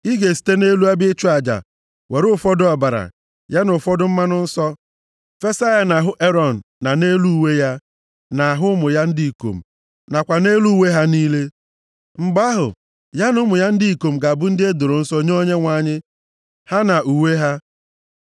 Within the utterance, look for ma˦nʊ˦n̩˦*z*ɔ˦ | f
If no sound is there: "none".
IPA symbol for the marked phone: s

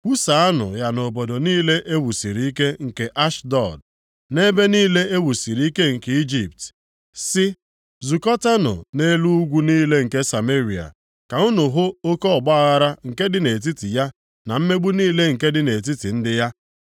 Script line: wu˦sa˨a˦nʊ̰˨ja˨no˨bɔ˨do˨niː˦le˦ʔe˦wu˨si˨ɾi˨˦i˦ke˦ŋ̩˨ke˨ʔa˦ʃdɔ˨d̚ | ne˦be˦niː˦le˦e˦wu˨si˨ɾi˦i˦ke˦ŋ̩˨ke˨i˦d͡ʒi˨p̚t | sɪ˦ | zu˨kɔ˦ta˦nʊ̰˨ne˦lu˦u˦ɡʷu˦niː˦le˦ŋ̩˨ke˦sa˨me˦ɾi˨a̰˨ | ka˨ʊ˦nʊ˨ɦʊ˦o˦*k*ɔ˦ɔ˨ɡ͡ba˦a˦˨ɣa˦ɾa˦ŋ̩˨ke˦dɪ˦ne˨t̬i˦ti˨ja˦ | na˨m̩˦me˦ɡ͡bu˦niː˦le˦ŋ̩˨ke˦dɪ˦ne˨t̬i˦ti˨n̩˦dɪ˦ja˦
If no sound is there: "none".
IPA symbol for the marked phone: k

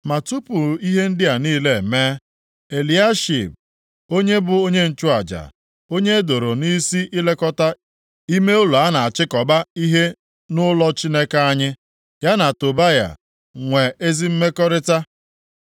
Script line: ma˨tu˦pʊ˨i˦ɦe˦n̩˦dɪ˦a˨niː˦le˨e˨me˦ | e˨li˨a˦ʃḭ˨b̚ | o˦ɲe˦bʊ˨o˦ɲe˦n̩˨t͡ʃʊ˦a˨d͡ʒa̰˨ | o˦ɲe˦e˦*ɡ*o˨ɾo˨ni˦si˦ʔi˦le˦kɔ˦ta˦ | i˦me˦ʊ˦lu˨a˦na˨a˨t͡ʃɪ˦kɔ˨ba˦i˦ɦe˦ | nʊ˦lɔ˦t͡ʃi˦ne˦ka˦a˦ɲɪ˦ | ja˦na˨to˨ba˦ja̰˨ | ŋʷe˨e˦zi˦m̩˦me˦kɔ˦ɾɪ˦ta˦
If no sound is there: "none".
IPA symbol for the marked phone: d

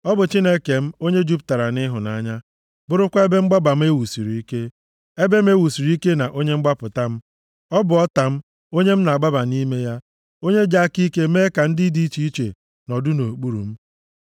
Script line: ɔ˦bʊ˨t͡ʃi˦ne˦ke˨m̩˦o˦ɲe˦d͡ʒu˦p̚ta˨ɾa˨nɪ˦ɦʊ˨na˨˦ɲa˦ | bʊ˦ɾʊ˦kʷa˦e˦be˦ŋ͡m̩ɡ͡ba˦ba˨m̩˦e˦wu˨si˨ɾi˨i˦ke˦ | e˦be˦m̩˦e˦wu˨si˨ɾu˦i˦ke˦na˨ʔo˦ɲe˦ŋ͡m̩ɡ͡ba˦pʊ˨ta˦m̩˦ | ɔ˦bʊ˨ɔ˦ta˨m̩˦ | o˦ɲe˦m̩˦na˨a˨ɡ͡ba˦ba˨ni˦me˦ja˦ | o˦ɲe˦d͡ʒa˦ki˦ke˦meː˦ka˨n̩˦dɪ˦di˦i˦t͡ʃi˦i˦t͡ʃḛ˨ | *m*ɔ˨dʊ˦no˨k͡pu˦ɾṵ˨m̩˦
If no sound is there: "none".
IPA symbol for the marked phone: n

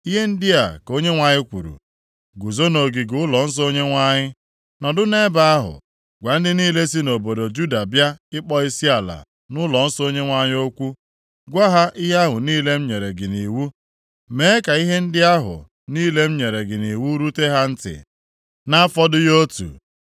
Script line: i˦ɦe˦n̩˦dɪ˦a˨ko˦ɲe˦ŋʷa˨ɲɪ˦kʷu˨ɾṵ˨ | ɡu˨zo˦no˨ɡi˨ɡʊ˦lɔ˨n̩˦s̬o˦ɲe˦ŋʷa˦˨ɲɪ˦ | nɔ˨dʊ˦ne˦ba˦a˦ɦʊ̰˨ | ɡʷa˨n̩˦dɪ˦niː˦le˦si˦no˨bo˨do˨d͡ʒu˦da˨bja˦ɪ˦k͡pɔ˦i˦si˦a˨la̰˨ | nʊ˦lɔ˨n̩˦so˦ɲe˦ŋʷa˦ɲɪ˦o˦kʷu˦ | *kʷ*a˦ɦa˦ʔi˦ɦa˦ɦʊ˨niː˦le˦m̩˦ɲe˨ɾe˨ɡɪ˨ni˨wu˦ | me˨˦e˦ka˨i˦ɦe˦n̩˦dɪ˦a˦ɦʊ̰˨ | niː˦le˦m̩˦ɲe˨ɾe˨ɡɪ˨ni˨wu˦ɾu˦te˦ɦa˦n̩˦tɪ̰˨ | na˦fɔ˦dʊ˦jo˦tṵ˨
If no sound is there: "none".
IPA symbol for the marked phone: ɡʷ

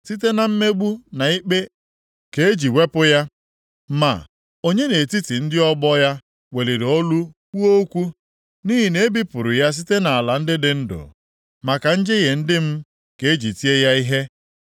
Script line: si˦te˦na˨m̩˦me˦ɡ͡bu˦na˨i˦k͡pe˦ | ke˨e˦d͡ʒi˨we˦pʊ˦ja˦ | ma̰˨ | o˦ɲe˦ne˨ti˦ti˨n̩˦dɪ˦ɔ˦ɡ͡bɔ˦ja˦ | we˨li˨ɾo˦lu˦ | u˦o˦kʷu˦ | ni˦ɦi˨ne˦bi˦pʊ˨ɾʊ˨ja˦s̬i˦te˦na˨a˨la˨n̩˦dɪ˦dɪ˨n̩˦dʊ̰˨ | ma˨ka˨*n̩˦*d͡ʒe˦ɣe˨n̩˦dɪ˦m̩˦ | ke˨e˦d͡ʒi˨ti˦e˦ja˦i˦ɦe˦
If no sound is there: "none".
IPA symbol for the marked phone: n̩˦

